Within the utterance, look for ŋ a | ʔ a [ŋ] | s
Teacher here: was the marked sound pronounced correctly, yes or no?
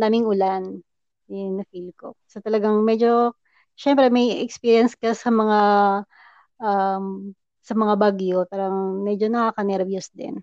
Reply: no